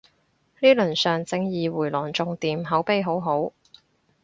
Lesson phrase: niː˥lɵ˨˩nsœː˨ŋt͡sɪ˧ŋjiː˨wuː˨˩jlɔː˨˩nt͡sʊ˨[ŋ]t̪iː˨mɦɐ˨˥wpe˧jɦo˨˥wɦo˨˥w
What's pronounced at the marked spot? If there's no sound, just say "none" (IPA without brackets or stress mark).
ŋ